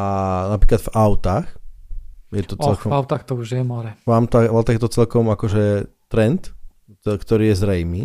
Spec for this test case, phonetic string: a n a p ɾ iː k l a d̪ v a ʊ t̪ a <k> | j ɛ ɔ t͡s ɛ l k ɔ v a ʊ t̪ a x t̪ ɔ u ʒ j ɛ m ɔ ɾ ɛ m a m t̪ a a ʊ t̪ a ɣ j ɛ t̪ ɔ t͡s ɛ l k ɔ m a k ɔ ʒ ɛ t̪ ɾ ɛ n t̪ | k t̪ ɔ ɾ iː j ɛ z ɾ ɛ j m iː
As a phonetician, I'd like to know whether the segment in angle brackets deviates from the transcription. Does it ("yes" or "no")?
yes